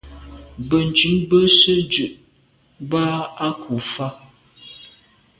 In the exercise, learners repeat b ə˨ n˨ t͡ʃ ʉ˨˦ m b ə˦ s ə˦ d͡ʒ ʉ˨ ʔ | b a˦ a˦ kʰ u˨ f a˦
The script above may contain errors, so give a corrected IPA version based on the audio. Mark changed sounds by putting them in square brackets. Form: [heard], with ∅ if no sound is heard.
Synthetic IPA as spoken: b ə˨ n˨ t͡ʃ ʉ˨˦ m b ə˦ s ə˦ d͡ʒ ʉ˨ ʔ | b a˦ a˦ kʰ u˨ f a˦